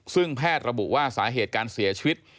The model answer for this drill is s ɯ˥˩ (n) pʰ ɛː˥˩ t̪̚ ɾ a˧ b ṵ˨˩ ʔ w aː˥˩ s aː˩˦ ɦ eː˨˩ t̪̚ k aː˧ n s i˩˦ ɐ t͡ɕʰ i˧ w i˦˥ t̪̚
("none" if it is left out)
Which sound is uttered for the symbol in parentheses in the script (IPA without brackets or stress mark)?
ŋ